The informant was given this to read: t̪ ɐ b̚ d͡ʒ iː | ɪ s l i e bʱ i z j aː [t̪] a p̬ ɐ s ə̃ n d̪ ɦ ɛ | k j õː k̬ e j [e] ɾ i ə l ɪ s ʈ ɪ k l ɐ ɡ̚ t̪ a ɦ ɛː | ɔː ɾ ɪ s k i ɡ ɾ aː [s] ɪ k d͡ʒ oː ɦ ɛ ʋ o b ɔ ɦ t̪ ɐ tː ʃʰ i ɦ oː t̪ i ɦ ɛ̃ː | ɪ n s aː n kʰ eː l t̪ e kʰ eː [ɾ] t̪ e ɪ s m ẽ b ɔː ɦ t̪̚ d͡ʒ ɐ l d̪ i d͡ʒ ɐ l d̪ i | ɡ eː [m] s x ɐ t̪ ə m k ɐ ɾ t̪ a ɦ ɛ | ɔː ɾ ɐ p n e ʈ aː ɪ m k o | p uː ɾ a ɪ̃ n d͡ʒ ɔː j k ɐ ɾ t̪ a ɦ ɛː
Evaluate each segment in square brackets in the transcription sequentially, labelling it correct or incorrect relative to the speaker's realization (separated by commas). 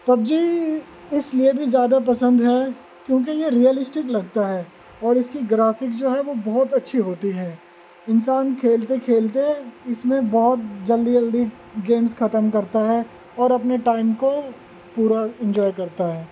incorrect, correct, incorrect, incorrect, correct